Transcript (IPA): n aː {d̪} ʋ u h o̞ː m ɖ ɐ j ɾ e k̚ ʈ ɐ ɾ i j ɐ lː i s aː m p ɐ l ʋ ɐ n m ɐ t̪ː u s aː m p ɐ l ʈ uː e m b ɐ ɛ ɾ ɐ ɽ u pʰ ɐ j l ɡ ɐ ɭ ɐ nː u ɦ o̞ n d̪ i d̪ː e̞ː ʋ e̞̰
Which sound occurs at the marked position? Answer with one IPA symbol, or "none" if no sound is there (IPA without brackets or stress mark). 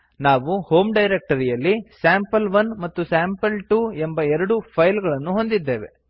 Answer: none